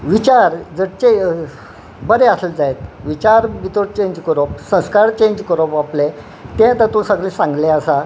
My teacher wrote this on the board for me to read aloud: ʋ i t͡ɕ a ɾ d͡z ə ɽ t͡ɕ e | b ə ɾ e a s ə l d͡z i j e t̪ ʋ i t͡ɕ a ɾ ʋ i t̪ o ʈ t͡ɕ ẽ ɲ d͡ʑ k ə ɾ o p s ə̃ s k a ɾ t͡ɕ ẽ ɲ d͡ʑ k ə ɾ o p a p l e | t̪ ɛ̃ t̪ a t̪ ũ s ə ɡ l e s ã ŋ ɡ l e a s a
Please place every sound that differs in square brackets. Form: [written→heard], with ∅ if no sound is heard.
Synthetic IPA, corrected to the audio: ʋ i t͡ɕ a ɾ d͡z ə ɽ t͡ɕ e | b ə ɾ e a s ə l d͡z [i→a] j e t̪ ʋ i t͡ɕ a ɾ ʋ i t̪ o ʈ t͡ɕ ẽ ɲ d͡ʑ k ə ɾ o p s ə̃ s k a ɾ t͡ɕ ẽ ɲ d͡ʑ k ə ɾ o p a p l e | t̪ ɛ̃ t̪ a t̪ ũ s ə ɡ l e s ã ŋ ɡ l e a s a

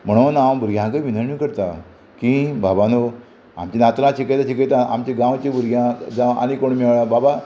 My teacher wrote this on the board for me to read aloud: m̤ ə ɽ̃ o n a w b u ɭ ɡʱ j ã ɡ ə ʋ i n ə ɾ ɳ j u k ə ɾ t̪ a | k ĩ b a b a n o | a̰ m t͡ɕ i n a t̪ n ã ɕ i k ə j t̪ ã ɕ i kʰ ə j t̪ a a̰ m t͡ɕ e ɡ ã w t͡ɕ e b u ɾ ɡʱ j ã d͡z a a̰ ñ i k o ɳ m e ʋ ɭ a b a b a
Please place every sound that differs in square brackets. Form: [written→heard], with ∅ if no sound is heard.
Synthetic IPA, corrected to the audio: m̤ ə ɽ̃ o n a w b u [ɭ→ɾ] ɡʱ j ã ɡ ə ʋ i n ə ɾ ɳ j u k ə ɾ t̪ a | k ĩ b a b a n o | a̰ m t͡ɕ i n a t̪ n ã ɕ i k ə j t̪ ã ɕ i [kʰ→k] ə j t̪ a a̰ m t͡ɕ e ɡ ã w t͡ɕ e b u ɾ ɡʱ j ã d͡z a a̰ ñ i k o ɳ m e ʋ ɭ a b a b a

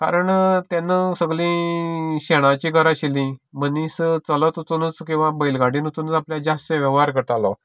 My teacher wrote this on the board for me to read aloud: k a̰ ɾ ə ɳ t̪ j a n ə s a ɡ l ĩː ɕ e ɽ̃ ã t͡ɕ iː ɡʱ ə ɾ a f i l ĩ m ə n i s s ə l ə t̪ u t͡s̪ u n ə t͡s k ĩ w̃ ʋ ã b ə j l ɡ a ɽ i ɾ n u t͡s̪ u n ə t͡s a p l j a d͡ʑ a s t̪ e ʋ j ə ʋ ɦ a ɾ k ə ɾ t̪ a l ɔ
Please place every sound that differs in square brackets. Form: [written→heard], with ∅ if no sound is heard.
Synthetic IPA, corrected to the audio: k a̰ ɾ ə ɳ t̪ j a n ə s [a→ə] ɡ l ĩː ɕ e ɽ̃ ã t͡ɕ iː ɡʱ ə ɾ a [f→ɕ] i l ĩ m ə n i s [s→t͡s] ə l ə t̪ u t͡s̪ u n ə t͡s k ĩ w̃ ʋ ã b ə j l ɡ a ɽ i [ɾ→∅] n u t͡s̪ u n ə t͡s a p l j a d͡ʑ a s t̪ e ʋ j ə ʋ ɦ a ɾ k ə ɾ t̪ a l ɔ

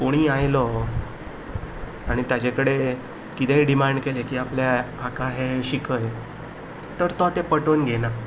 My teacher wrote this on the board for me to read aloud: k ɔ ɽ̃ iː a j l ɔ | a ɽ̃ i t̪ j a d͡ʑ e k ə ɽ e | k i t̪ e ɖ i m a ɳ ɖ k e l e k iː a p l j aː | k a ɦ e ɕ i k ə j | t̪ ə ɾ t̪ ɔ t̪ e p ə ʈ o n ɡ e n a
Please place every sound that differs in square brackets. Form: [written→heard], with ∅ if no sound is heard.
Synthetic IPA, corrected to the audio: k [ɔ→o] ɽ̃ iː a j l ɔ | a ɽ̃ i t̪ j a d͡ʑ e k ə ɽ e | k i t̪ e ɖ i m a ɳ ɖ k e l e k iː a p l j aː | k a ɦ e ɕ i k ə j | t̪ ə ɾ t̪ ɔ t̪ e p ə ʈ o n ɡ e n a

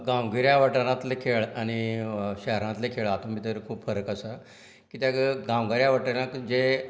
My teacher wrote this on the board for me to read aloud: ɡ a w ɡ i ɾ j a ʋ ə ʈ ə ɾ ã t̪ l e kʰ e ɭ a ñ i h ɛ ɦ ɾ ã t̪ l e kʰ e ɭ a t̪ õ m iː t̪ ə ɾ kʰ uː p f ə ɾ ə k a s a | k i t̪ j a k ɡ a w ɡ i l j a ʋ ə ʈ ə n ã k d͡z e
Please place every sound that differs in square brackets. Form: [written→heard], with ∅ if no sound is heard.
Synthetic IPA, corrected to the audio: ɡ a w ɡ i ɾ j a ʋ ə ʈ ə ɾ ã t̪ l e kʰ e ɭ a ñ i [h→ɕ] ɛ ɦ ɾ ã t̪ l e kʰ e ɭ a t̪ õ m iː t̪ ə ɾ kʰ uː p f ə ɾ ə k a s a | k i t̪ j a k ɡ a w ɡ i [l→ɾ] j a ʋ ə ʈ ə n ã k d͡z e

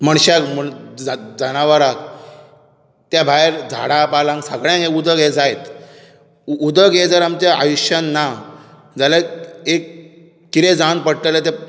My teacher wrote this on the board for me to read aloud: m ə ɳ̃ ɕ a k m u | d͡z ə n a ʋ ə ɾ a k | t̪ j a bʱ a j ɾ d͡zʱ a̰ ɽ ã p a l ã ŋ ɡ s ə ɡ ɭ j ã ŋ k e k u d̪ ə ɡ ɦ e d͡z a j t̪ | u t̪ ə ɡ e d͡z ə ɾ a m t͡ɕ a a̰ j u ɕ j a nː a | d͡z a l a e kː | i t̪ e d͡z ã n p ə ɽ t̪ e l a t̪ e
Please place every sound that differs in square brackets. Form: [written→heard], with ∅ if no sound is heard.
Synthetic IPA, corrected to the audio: m ə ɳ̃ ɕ a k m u | d͡z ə n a ʋ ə ɾ a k | t̪ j a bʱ a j ɾ d͡zʱ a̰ ɽ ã p a l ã ŋ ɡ s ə ɡ ɭ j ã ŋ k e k u d̪ ə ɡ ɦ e d͡z a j t̪ | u [t̪→d̪] ə ɡ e d͡z ə ɾ a m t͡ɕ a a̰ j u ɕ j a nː a | d͡z a l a e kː | i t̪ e d͡z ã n p ə ɽ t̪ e l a t̪ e

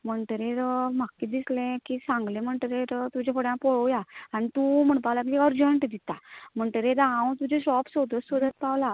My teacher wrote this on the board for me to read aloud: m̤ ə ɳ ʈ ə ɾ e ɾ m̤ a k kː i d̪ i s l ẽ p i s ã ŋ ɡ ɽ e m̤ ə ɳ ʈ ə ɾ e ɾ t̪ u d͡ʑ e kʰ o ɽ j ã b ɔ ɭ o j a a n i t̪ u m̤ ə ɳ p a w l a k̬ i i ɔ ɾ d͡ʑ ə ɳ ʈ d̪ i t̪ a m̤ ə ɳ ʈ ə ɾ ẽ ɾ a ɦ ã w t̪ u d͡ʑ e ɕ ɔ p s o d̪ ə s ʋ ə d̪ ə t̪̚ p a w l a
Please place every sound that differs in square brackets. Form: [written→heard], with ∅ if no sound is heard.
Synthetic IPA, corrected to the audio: m̤ ə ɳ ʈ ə ɾ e ɾ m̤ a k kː i d̪ i s l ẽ [p→k] i s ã ŋ ɡ [ɽ→l] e m̤ ə ɳ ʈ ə ɾ e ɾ t̪ u d͡ʑ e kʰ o ɽ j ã [b→p] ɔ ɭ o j a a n i t̪ u m̤ ə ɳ p a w l a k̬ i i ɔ ɾ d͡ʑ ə ɳ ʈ d̪ i t̪ a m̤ ə ɳ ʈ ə ɾ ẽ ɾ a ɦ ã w t̪ u d͡ʑ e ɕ ɔ p s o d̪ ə s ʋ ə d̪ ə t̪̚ p a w l a

